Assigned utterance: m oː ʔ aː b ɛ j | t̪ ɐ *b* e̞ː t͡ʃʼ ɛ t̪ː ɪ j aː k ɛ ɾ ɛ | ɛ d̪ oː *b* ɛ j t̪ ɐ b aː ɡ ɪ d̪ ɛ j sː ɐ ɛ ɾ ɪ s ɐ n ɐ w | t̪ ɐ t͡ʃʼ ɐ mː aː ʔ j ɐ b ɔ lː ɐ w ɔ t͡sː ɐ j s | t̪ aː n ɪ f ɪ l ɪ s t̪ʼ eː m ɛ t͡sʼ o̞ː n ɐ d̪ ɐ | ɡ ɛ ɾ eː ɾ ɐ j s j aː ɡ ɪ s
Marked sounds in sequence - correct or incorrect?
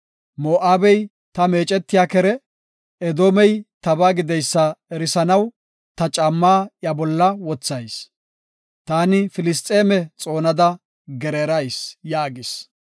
incorrect: m, incorrect: m

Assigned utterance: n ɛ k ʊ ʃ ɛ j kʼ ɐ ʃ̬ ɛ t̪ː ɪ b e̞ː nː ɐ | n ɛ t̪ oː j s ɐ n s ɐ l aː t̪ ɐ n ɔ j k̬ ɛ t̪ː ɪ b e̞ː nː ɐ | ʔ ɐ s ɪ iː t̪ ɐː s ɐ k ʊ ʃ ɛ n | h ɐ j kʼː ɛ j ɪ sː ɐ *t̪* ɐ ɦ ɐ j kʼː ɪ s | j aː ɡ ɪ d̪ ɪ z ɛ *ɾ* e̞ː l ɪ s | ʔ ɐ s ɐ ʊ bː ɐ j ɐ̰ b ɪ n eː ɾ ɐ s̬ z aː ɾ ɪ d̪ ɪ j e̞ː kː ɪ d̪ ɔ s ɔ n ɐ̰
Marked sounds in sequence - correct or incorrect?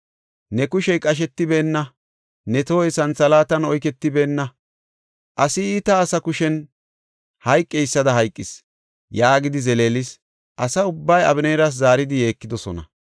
incorrect: d̪, incorrect: l

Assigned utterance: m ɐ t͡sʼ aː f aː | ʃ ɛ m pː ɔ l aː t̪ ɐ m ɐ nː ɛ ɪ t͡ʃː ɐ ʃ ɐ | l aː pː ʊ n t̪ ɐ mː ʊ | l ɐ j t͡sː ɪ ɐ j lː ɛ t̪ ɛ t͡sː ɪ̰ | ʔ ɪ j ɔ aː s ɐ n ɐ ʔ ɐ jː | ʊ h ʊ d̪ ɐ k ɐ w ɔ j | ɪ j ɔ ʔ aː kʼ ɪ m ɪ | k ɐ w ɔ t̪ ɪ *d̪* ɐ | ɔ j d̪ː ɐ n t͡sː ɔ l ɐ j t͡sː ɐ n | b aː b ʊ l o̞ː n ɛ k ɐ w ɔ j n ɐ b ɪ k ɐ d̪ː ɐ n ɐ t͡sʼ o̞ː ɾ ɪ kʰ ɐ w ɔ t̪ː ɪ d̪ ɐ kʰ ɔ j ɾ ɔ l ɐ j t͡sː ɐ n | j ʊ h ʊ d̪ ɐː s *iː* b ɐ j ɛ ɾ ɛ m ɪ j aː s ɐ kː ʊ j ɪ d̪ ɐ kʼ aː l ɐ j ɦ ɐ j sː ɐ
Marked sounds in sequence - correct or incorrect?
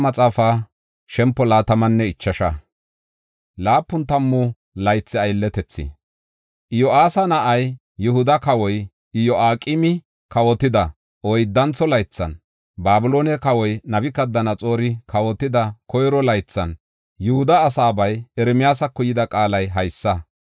correct, incorrect: aː

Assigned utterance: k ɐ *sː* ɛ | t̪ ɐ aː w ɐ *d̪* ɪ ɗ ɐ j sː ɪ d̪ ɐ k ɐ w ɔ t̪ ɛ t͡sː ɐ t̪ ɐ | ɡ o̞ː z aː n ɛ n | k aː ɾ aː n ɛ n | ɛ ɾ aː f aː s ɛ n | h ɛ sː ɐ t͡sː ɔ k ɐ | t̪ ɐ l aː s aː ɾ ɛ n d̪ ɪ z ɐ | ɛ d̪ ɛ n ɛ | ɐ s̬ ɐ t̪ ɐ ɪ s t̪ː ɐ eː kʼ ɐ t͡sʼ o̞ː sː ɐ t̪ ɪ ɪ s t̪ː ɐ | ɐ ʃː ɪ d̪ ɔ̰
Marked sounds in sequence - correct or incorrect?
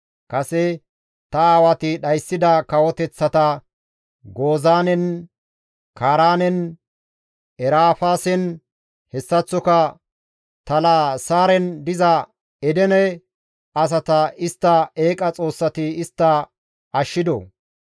incorrect: s, incorrect: t̪

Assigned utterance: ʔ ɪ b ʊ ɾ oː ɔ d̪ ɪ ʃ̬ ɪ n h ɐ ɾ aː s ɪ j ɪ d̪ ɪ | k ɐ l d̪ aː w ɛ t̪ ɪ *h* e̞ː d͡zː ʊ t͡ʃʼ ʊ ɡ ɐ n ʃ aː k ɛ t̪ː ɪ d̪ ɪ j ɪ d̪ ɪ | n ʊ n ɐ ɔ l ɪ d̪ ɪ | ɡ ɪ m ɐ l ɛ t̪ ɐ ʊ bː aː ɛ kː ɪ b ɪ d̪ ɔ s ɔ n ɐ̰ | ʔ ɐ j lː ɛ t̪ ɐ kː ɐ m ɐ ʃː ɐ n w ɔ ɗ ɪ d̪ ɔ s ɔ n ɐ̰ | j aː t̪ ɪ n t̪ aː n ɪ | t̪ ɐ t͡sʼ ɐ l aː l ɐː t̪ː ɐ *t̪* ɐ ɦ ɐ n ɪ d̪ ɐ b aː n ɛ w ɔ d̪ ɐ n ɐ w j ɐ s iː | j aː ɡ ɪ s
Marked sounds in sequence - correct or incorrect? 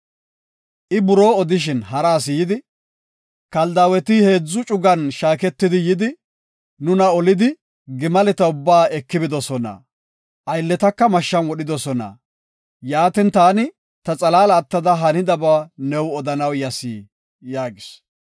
correct, incorrect: d̪

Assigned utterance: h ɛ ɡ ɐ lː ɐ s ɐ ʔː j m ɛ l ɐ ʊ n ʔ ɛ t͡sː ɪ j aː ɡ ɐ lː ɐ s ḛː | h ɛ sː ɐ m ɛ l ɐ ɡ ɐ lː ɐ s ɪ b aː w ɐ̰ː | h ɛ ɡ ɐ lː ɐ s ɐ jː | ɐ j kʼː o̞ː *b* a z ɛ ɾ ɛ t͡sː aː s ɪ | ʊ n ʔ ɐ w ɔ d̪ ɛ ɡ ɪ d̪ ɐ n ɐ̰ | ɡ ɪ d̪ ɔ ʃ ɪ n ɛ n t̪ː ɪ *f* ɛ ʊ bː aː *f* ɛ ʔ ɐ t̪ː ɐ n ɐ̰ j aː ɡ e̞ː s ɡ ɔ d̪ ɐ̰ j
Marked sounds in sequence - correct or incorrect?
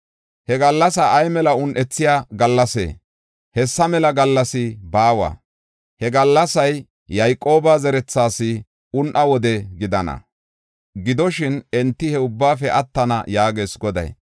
correct, incorrect: h, correct

